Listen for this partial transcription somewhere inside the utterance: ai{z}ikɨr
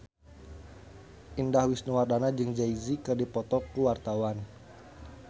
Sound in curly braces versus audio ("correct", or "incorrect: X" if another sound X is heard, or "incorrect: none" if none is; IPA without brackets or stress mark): correct